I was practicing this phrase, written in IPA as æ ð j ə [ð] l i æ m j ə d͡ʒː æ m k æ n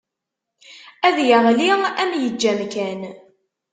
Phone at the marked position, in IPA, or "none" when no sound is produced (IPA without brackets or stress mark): ʁ